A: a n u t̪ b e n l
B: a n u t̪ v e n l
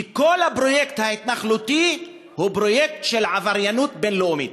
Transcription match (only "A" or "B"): A